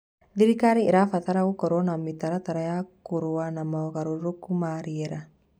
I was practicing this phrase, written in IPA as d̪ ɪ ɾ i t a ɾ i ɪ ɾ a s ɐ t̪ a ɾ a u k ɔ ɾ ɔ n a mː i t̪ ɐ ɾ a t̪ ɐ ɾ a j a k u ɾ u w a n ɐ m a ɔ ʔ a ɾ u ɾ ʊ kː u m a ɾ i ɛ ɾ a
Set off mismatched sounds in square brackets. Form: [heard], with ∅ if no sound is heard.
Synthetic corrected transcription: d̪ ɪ ɾ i [k] a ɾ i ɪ ɾ a [f] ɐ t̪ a ɾ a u k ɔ ɾ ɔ n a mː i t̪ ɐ ɾ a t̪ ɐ ɾ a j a k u ɾ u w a n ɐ m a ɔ [k] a ɾ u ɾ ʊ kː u m a ɾ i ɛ ɾ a